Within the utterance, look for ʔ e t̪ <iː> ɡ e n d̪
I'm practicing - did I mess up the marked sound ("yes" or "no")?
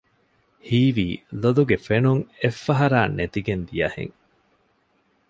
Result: yes